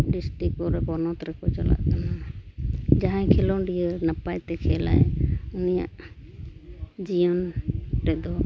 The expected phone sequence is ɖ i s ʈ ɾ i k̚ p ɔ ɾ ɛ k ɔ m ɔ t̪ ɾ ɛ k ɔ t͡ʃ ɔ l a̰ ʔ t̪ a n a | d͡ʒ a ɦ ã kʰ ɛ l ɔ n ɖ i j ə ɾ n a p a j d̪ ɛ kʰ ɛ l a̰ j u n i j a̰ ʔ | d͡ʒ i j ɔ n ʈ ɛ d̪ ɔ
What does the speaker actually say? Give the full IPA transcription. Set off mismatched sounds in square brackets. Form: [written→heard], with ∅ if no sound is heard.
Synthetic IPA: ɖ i s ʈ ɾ i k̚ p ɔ ɾ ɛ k ɔ [m→n] ɔ t̪ ɾ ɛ k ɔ t͡ʃ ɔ l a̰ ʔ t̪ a n a | d͡ʒ a ɦ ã kʰ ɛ l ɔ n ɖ i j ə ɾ n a p a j [d̪→t̪] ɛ kʰ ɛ l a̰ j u n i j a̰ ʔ | d͡ʒ i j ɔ n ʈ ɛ d̪ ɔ